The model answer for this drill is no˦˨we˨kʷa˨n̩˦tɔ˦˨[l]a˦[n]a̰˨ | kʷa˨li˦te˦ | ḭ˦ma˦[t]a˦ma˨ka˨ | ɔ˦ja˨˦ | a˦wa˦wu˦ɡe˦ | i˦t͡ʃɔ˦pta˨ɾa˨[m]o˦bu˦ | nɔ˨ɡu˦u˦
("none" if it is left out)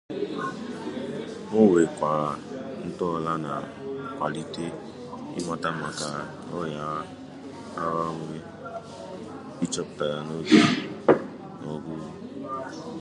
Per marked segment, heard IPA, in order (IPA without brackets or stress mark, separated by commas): l, n, t, n